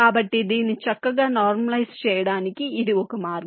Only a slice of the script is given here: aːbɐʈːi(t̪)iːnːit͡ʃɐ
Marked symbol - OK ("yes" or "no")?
no